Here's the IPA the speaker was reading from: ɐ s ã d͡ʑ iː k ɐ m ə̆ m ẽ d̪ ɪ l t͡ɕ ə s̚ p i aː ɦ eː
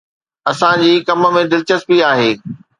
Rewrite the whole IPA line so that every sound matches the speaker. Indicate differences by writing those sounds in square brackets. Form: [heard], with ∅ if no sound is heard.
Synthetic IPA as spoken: ɐ s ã d͡ʑ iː k ɐ m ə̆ m ẽ d̪ ɪ l t͡ɕ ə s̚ p i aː ɦ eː